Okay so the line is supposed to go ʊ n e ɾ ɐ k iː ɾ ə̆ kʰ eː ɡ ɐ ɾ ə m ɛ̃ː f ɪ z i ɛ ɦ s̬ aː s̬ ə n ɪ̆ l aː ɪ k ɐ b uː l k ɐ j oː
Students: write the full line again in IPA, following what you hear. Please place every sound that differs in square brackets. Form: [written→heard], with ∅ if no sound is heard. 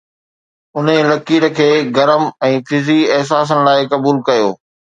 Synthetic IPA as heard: ʊ n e [ɾ→l] ɐ k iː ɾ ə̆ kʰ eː ɡ ɐ ɾ ə m ɛ̃ː f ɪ z i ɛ ɦ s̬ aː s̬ ə n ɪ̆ l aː ɪ k ɐ b uː l k ɐ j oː

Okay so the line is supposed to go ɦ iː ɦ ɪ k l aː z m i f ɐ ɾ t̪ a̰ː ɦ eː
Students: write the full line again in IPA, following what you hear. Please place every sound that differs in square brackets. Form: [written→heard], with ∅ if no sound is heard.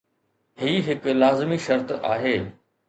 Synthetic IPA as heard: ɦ iː ɦ ɪ k l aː z m i [f→ʃ] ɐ ɾ t̪ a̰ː ɦ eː

